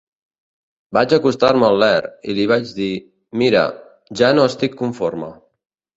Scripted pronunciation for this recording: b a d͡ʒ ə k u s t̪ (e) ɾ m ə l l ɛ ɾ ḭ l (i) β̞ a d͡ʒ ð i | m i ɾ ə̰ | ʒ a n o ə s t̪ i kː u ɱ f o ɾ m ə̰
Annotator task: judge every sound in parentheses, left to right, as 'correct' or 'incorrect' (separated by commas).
incorrect, correct